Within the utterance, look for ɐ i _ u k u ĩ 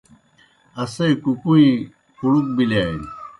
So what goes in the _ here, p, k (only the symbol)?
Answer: k